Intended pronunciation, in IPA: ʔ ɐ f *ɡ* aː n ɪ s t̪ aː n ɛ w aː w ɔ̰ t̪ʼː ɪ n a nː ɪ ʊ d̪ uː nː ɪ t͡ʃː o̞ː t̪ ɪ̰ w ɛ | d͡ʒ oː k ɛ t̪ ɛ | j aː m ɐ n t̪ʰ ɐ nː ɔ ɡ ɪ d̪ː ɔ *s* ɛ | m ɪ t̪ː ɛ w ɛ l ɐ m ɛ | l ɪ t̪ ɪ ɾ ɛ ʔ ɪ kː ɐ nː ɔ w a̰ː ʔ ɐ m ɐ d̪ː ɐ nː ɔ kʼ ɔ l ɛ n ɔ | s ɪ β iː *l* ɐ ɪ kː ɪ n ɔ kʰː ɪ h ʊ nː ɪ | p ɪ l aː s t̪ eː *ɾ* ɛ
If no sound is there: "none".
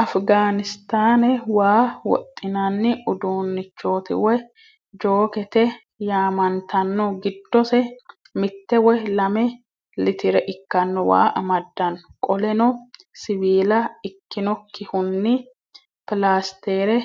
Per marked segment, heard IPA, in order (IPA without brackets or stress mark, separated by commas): ɡ, s, l, ɾ